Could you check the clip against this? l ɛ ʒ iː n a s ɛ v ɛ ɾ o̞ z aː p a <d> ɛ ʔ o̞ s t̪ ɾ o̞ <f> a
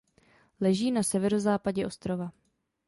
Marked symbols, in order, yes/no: no, no

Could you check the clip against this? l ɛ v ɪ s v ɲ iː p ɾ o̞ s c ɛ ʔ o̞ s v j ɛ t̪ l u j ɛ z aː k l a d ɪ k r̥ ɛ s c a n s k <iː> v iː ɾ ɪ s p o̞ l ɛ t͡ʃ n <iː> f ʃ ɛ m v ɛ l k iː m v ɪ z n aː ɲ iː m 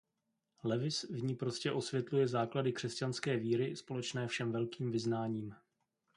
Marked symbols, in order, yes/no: no, no

